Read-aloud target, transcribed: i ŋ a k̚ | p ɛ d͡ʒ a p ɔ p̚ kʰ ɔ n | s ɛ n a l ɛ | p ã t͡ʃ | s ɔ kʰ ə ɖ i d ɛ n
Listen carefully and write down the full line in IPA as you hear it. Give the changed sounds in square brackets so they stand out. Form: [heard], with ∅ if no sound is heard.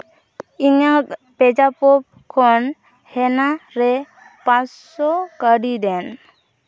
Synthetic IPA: i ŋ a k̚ | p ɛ d͡ʒ a p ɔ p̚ kʰ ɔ n | [h] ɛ n a [ɾ] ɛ | p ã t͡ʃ | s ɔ [k] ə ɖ i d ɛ n